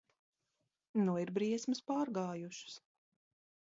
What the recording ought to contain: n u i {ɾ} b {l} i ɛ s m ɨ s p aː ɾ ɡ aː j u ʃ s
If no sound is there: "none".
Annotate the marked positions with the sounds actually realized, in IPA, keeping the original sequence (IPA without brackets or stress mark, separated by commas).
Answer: ɾ, ɾ